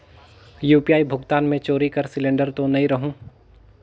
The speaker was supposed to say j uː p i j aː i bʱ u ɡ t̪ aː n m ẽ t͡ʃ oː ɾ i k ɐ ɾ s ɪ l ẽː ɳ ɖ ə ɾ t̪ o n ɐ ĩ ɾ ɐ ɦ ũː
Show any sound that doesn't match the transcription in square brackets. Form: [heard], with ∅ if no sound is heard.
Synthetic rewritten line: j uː p i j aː i bʱ [ʊ] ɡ t̪ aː n m ẽ t͡ʃ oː ɾ i k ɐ ɾ s ɪ l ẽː ɳ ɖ ə ɾ t̪ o n ɐ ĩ ɾ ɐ ɦ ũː

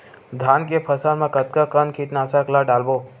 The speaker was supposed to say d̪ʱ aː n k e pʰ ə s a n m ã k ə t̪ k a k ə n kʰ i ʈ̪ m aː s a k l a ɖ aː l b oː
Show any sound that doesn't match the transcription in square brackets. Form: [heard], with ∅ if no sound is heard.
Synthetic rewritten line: d̪ʱ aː n k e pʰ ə s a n m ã k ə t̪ k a k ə n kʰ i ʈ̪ [n] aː s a k l a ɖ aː l b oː

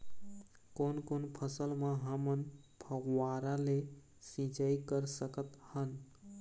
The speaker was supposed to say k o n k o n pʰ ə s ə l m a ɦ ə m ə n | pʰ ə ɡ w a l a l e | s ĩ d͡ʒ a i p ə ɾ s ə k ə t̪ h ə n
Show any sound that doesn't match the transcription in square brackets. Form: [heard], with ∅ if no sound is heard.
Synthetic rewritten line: k o n k o n pʰ ə s ə l m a ɦ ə m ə n | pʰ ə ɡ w a [ɾ] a l e | s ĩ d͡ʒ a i [k] ə ɾ s ə k ə t̪ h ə n

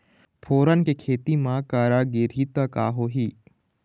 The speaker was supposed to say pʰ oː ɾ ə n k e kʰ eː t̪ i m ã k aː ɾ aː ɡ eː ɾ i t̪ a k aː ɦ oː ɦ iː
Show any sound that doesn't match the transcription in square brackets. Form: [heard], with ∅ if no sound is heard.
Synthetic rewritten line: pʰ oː ɾ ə n k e kʰ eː t̪ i m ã k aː ɾ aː ɡ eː ɾ i t̪ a k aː ɦ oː ɦ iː

